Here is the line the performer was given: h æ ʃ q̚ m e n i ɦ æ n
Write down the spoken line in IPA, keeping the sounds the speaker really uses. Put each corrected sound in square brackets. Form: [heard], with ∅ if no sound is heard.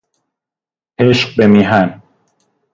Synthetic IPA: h [e] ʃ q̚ [b] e [m] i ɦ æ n